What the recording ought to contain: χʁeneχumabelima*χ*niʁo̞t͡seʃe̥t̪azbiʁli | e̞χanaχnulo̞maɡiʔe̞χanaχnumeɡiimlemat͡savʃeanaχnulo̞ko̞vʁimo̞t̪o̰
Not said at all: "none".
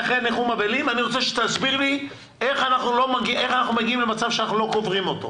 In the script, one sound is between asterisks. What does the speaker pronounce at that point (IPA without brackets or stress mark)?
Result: none